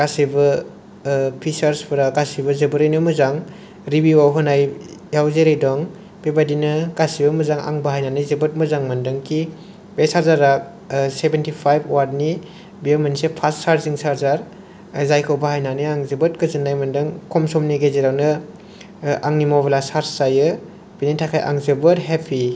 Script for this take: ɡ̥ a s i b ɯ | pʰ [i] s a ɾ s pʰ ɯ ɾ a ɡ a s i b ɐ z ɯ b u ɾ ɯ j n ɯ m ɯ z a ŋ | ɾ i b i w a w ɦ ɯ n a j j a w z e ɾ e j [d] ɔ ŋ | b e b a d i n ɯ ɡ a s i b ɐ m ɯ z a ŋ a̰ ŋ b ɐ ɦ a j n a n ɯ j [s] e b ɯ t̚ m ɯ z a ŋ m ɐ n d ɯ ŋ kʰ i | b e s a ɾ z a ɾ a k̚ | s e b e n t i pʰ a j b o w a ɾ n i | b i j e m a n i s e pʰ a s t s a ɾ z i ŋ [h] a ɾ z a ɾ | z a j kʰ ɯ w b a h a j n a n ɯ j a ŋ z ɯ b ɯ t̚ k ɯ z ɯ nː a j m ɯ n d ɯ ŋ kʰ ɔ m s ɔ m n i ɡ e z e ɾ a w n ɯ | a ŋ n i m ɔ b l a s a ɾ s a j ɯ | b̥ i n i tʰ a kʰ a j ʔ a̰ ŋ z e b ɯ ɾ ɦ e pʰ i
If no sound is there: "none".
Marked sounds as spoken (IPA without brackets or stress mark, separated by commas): i, d, z, s